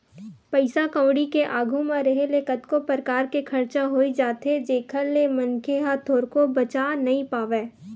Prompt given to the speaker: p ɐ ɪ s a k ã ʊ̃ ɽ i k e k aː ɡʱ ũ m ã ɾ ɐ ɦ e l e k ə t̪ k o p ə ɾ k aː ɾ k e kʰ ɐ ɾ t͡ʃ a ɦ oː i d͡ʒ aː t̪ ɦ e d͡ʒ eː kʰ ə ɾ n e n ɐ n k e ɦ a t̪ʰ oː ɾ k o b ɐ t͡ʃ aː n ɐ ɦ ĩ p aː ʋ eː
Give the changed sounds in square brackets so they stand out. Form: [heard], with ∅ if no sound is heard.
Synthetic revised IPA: p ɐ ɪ s a k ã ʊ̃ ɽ i k e [ʔ] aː ɡʱ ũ m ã ɾ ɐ ɦ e l e k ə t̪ k o p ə ɾ k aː ɾ k e kʰ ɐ ɾ t͡ʃ a ɦ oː i d͡ʒ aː t̪ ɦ e d͡ʒ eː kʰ ə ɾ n e [m] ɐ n k e ɦ a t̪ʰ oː ɾ k o b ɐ t͡ʃ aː n ɐ ɦ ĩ p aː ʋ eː